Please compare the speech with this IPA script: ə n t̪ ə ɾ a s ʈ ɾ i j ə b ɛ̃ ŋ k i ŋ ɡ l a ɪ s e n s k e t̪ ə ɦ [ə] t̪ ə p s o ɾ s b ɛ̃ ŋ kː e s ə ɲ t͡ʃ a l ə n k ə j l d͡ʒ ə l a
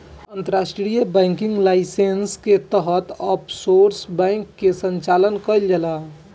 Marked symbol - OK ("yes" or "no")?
yes